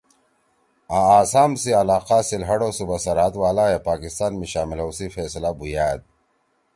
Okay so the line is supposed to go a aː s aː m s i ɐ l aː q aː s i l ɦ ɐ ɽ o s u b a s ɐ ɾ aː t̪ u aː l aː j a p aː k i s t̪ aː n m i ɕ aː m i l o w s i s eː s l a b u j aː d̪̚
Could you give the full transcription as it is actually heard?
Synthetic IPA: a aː s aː m s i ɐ l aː q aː s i l ɦ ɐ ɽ o s u b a s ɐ ɾ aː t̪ w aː l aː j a p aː k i s t̪ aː n m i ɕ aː m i l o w s i f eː s l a b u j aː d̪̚